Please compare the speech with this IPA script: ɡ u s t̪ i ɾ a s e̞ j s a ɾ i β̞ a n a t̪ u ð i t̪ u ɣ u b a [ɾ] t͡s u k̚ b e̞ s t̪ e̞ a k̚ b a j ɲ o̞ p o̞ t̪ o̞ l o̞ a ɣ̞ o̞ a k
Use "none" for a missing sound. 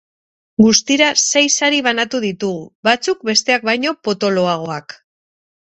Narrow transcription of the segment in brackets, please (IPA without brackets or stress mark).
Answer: none